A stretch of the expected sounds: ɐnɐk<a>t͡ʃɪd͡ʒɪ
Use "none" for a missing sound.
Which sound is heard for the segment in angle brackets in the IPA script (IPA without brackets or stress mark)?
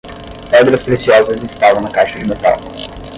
a